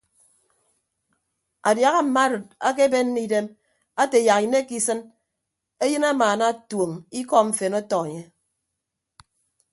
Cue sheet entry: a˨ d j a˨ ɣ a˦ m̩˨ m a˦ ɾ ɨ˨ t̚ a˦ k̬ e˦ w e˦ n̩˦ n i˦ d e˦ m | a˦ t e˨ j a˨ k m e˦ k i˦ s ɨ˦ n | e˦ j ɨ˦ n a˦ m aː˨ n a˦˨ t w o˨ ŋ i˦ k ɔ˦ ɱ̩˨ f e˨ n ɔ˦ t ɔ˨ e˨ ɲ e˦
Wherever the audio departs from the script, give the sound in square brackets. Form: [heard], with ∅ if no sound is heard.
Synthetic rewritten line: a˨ d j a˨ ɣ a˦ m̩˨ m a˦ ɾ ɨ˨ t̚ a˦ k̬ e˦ [b] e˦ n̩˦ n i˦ d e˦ m | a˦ t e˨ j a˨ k [n] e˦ k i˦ s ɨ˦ n | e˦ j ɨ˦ n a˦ m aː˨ n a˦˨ t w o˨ ŋ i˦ k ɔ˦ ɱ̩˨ f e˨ n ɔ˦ t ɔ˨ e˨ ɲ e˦